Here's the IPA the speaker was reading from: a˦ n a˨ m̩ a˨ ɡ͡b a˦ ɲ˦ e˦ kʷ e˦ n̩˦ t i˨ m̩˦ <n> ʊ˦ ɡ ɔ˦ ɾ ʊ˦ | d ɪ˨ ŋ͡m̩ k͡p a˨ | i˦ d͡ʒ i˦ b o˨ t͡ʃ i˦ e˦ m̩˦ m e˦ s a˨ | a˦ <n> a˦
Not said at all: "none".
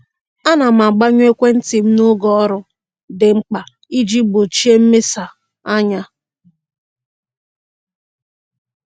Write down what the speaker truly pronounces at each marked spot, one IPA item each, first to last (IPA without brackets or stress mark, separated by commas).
n, ɲ